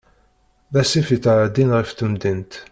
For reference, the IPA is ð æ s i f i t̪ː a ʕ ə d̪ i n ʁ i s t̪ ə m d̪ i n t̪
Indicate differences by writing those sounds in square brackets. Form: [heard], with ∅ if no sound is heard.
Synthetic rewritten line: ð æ s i f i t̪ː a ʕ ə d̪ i n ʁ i [f] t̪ ə m d̪ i n t̪